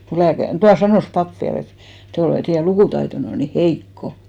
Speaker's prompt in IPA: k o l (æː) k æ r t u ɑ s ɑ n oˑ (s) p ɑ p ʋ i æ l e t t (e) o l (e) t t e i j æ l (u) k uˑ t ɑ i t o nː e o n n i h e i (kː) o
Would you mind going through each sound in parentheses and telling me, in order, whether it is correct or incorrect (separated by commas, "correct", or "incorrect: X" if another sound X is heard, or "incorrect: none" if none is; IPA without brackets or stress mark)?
correct, correct, correct, correct, correct, correct